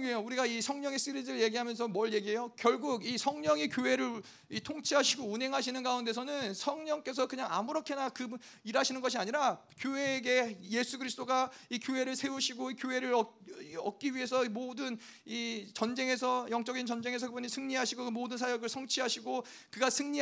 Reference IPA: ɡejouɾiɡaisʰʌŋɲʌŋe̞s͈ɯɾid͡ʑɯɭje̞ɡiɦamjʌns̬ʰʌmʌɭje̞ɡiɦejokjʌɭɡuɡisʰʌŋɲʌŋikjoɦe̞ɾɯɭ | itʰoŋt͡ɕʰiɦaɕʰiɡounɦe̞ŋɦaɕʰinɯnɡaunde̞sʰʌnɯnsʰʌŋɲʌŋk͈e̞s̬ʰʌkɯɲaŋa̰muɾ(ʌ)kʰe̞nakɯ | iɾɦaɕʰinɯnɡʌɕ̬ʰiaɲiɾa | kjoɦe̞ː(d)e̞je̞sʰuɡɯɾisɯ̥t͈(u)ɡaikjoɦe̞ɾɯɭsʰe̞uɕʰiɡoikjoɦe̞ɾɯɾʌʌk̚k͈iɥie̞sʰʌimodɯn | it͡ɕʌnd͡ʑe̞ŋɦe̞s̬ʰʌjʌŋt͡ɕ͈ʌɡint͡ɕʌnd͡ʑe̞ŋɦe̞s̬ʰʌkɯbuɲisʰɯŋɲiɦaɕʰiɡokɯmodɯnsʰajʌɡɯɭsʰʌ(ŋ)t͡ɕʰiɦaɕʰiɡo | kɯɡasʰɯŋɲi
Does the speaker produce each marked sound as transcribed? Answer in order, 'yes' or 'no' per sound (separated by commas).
yes, no, no, yes